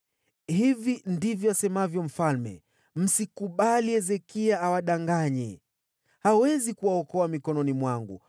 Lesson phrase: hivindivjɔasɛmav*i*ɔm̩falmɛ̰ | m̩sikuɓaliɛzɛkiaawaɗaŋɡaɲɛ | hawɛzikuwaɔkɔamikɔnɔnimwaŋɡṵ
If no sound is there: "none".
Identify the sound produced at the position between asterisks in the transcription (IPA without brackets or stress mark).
j